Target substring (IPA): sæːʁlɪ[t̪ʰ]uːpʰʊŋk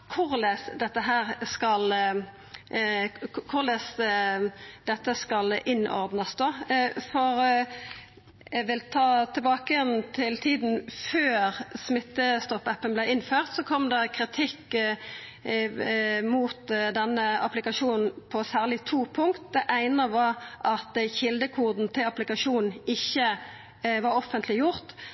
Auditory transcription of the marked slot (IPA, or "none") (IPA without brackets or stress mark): t̪ʰ